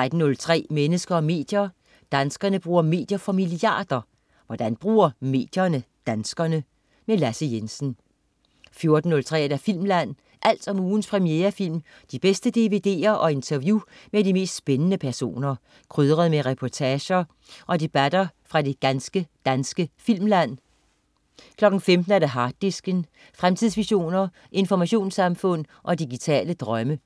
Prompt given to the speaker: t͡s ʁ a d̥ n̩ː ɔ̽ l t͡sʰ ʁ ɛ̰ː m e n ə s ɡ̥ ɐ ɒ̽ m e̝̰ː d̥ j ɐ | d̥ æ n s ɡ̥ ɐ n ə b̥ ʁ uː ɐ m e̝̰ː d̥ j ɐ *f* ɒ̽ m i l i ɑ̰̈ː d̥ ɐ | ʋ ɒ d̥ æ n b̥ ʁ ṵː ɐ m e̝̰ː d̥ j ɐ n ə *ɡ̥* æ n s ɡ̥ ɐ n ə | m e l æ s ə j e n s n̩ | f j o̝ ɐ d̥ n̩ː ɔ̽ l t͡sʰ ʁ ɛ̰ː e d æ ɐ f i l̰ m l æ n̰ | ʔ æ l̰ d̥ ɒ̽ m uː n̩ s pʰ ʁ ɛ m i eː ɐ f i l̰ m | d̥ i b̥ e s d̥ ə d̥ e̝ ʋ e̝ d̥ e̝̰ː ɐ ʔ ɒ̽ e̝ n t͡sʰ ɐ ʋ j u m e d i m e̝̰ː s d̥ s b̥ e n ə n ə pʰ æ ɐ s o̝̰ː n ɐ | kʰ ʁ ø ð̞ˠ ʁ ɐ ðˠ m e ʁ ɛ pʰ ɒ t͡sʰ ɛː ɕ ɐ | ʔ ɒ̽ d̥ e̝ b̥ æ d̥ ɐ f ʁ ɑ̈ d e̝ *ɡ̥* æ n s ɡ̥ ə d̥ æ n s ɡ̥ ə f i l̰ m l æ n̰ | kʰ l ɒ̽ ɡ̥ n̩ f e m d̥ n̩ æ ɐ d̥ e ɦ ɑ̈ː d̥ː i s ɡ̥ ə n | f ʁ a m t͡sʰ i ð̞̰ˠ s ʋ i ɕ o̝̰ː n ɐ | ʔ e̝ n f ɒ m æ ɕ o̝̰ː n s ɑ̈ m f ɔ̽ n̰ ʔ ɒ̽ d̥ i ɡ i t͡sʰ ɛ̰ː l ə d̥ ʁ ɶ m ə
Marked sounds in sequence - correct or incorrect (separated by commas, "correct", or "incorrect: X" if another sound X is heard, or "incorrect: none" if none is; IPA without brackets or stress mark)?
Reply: correct, incorrect: d̥, correct